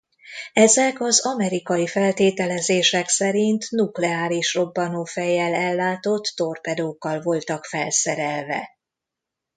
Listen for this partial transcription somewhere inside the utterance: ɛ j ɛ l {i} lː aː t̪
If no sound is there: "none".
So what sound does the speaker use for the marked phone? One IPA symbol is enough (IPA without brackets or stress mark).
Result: ɛ